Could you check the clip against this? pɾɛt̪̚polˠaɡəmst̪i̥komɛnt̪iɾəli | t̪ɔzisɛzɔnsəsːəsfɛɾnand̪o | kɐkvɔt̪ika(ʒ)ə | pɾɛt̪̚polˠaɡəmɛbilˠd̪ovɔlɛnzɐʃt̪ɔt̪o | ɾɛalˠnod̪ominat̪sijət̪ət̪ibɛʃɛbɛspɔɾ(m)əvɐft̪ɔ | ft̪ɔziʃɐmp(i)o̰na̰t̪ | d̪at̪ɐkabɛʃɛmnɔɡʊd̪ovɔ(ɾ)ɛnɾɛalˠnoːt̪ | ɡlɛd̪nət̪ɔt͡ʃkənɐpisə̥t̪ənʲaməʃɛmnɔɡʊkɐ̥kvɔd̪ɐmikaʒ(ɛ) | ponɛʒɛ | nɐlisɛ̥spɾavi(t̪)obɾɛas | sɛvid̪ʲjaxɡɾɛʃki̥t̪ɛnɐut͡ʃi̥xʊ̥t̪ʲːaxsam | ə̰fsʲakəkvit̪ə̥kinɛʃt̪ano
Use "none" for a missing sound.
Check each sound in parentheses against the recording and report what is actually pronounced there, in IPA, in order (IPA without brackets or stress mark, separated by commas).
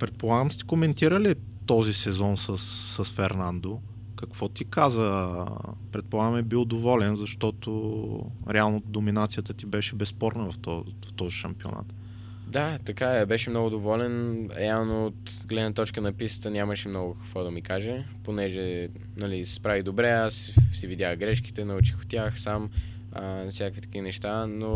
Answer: z, n, i, l, ɛ, d̪